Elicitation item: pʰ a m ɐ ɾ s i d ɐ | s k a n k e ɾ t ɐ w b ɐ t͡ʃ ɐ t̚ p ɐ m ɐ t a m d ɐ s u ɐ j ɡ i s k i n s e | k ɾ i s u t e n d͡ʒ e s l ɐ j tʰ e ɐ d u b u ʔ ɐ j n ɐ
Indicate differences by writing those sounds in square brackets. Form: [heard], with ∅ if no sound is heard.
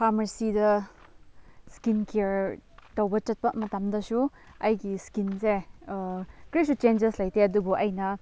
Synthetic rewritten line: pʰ a m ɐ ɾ s i d ɐ | s k [i] n k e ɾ t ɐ w b ɐ t͡ʃ ɐ t̚ p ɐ m ɐ t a m d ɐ s u ɐ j ɡ i s k i n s e | k ɾ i s u [t͡ʃ] e n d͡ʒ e s l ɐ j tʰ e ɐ d u b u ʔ ɐ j n ɐ